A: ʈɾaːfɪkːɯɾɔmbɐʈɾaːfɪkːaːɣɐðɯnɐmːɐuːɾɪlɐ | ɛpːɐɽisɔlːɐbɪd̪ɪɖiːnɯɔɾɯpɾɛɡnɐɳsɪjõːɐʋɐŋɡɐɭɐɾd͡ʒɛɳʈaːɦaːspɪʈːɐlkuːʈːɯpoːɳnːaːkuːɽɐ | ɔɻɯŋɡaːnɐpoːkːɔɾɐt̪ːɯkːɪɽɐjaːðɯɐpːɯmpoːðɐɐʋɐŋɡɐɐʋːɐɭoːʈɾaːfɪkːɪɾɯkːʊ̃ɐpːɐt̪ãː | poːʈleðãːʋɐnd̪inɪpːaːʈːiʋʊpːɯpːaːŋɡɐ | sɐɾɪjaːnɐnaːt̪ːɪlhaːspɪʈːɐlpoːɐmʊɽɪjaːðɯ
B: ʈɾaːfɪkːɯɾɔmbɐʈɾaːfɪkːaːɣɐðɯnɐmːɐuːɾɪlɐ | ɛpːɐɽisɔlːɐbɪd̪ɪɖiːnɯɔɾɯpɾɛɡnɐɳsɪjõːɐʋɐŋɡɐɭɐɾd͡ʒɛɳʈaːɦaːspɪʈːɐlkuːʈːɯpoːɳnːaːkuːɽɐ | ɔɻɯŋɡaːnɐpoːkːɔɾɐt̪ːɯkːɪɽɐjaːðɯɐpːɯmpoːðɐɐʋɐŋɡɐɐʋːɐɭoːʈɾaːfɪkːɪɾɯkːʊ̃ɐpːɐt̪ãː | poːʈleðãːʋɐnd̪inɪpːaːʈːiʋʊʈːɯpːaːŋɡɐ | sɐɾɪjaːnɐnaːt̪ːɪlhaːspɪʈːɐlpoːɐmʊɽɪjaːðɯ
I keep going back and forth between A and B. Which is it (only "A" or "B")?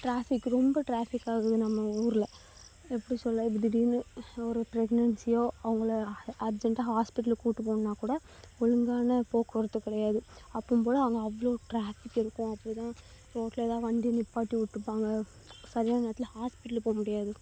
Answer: B